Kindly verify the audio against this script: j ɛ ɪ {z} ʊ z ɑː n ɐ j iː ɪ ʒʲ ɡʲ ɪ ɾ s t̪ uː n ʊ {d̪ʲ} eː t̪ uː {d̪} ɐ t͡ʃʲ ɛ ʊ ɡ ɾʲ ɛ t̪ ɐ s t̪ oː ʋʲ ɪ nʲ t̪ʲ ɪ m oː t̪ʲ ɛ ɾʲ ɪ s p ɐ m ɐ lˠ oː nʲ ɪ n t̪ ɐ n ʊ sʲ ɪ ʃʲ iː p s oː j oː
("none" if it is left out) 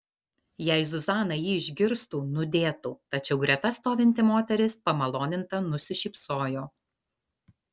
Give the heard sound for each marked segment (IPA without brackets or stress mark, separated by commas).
z, d̪ʲ, t̪